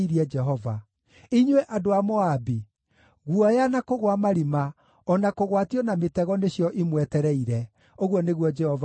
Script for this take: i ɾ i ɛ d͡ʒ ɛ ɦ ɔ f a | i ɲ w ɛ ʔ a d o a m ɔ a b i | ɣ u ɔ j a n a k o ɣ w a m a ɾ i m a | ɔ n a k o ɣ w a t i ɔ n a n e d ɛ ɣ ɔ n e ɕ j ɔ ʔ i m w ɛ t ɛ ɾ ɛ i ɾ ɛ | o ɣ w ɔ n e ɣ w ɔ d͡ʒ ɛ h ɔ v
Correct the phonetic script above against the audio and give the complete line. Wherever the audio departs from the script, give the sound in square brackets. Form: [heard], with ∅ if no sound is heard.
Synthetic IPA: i ɾ i ɛ d͡ʒ ɛ ɦ ɔ [v] a | i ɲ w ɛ ʔ a d o a m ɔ a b i | ɣ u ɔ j a n a k o ɣ w a m a ɾ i m a | ɔ n a k o ɣ w a t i ɔ n a [m] e [t] ɛ ɣ ɔ n e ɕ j ɔ ʔ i m w ɛ t ɛ ɾ ɛ i ɾ ɛ | o ɣ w ɔ n e ɣ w ɔ d͡ʒ ɛ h ɔ v